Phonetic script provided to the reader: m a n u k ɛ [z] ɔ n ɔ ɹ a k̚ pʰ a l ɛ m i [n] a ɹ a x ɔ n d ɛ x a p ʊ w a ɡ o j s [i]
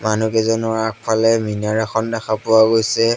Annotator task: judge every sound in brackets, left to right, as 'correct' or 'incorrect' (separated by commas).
correct, correct, incorrect